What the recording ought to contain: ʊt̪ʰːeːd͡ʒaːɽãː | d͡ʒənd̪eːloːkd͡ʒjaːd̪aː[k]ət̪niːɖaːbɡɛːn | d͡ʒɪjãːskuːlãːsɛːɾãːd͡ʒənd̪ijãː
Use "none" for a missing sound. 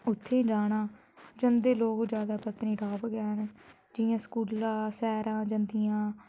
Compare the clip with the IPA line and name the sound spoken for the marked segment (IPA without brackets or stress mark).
p